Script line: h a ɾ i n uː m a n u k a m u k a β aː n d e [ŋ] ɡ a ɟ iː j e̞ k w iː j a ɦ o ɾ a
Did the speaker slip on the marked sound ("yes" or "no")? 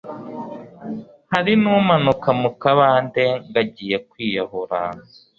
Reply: no